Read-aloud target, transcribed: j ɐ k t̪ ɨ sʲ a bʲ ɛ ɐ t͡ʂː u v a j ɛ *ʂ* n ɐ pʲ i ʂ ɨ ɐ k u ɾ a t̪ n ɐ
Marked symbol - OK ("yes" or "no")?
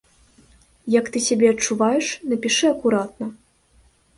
yes